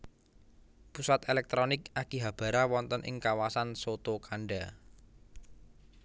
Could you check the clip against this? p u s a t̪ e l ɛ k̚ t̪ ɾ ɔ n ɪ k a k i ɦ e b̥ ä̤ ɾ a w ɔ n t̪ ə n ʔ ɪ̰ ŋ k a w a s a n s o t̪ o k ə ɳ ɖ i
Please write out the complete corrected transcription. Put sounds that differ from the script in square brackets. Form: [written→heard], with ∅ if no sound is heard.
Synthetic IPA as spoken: p u s a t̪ e l ɛ k̚ t̪ ɾ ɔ n ɪ k a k i ɦ [e→a] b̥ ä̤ ɾ a w ɔ n t̪ ə n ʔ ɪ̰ ŋ k a w a s a n s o t̪ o k [ə→a] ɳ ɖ [i→a]

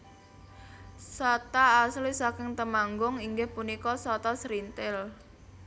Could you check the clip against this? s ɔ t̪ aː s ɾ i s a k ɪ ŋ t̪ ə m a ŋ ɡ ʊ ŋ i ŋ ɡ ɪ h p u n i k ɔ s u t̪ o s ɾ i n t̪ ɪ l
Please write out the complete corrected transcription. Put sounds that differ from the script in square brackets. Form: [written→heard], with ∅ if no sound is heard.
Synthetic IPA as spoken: s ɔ t̪ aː s [ɾ→l] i s a k ɪ ŋ t̪ ə m a ŋ ɡ ʊ ŋ i ŋ ɡ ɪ h p u n i k ɔ s [u→ɔ] t̪ [o→ɔ] s ɾ i n t̪ ɪ l

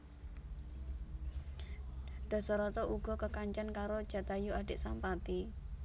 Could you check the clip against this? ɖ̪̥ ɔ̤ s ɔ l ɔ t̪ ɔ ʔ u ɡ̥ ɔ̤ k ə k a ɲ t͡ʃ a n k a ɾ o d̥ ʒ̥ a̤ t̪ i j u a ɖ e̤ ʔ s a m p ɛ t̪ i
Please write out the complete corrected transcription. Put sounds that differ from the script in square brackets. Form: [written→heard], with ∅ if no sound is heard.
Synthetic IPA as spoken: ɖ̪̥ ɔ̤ s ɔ [l→ɾ] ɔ t̪ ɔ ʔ u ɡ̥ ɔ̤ k ə k a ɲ t͡ʃ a n k a ɾ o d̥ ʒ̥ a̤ t̪ [i→a] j u a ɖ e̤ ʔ s a m p [ɛ→a] t̪ i

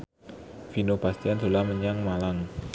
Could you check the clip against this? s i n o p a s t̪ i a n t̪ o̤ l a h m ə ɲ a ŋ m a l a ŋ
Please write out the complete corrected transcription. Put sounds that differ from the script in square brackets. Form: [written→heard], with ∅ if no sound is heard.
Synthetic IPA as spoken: [s→f] i n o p a s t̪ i a n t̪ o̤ l a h m ə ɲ a ŋ m a l a ŋ

